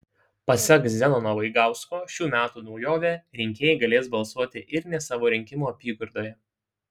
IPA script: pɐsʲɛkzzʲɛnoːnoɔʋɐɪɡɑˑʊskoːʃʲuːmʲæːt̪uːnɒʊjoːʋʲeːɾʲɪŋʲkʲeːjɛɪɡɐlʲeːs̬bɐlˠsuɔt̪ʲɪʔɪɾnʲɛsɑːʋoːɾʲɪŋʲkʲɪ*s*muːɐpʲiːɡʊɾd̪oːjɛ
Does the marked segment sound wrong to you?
yes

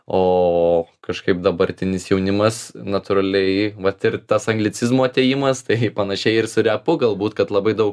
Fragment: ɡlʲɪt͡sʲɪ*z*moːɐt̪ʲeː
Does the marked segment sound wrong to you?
no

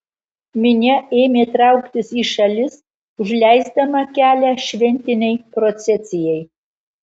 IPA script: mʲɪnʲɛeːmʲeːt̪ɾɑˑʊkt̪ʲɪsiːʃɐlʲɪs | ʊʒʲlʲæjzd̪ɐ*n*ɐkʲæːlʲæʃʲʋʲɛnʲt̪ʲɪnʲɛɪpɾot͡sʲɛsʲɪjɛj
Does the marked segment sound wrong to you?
yes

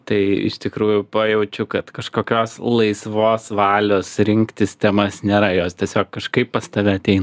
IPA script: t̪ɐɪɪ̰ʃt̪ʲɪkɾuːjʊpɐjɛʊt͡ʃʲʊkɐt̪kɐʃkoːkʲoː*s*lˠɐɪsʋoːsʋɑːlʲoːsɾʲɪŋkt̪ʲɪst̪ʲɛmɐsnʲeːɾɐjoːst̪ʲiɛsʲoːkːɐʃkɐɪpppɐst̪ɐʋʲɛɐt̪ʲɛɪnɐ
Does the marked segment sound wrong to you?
no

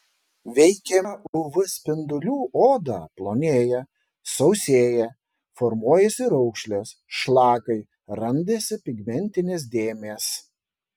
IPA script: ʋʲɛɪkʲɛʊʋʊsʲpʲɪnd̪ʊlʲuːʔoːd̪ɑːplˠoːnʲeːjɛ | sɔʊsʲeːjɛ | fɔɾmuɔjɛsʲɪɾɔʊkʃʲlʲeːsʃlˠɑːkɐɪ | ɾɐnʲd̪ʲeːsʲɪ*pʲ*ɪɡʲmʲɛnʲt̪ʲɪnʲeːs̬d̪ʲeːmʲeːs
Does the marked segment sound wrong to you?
no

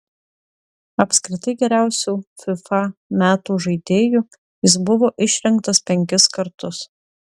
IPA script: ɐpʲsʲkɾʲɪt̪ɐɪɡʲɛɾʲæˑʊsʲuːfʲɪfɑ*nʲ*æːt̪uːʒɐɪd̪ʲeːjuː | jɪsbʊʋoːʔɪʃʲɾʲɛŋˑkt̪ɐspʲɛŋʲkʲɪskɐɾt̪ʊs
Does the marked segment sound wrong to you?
yes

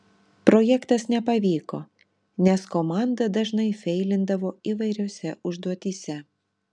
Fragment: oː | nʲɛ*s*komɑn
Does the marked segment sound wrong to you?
no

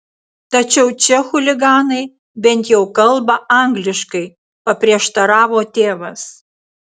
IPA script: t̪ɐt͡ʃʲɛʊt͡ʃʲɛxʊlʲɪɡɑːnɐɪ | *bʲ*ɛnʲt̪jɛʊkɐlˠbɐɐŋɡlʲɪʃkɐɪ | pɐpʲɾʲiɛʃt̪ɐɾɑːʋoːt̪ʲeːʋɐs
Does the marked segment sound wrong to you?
no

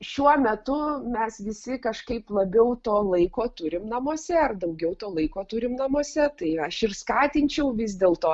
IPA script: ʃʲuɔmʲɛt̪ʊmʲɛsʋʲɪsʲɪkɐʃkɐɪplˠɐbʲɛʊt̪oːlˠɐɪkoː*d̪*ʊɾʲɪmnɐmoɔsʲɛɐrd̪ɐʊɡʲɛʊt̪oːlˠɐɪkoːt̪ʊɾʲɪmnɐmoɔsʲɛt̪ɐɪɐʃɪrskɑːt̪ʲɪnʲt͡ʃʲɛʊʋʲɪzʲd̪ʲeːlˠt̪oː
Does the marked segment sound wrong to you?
yes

